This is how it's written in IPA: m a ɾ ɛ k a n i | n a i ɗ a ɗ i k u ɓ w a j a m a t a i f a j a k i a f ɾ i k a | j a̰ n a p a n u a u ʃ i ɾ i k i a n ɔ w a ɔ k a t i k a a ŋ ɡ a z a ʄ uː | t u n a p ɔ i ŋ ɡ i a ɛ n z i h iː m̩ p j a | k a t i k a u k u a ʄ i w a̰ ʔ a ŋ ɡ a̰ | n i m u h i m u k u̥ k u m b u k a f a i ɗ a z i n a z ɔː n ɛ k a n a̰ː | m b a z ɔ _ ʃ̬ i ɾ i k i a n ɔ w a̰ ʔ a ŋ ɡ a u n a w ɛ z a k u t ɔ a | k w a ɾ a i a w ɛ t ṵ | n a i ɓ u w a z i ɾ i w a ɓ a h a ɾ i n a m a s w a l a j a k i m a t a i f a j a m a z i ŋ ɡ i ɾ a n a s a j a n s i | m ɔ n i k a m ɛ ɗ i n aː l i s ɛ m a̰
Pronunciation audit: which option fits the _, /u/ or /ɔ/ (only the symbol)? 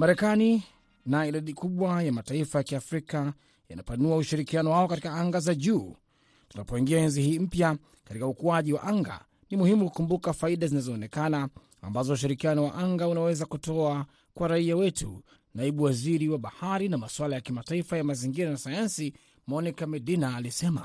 u